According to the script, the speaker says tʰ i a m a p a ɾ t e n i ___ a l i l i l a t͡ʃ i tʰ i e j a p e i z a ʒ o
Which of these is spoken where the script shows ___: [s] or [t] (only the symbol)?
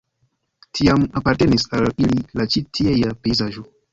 s